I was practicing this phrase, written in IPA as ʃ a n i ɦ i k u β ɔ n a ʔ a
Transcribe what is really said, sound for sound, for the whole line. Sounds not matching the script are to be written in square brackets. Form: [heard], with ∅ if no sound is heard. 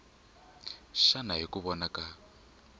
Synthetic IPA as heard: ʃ a n [a] ɦ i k u β ɔ n a [k] a